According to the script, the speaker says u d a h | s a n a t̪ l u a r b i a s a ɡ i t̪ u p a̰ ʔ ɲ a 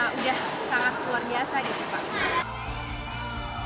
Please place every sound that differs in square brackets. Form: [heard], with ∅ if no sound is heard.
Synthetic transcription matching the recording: u d a h | s a [ŋ] a t̪ l u a r b i a s a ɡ i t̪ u p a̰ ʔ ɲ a